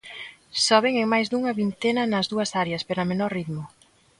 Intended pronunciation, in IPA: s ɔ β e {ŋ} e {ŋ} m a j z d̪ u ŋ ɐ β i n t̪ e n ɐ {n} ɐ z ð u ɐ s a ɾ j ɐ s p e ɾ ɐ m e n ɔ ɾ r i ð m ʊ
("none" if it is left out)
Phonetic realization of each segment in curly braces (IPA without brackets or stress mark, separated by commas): ŋ, ŋ, n